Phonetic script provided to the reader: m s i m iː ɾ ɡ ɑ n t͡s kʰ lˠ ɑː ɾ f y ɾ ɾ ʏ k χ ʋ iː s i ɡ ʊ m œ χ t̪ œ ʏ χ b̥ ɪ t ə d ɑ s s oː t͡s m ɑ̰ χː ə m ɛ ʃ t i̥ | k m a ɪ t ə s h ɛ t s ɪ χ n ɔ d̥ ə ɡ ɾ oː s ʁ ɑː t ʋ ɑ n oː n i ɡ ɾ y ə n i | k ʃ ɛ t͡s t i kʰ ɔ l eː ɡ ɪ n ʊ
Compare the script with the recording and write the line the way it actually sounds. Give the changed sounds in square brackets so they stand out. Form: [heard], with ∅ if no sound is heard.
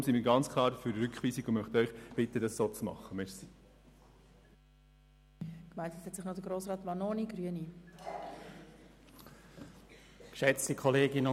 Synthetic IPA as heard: m s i m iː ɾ ɡ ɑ n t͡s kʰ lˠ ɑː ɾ f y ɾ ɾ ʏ k χ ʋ iː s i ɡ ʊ m œ χ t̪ œ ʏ χ b̥ ɪ t ə d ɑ s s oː t͡s m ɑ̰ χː ə m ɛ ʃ [s] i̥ | k m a ɪ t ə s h ɛ t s ɪ χ n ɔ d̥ ə ɡ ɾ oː s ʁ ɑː t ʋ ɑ n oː n i ɡ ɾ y ə n i | k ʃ ɛ t͡s t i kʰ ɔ l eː ɡ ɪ n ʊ